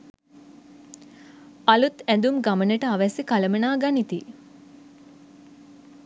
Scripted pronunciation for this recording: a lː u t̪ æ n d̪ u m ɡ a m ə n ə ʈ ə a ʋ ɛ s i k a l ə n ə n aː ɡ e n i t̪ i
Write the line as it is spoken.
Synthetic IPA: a l u t̪ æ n d̪ u m ɡ a m ə n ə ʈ ə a ʋ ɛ s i k a l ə m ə n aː ɡ a n i t̪ i